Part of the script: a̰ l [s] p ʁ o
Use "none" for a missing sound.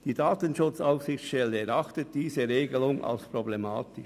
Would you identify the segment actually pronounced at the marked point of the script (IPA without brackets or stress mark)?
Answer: s